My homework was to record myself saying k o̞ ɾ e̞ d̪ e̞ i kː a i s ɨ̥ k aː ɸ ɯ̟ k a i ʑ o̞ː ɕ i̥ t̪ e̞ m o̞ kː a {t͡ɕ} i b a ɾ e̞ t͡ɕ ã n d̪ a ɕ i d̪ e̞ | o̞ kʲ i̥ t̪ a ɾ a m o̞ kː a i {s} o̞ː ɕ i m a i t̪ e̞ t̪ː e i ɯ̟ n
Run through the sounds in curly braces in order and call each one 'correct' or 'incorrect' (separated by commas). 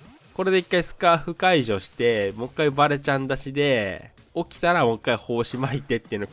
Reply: incorrect, incorrect